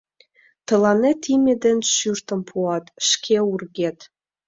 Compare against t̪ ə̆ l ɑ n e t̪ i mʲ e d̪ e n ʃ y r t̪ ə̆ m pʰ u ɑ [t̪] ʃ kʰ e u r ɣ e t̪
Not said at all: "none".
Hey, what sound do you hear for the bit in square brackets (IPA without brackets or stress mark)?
t̪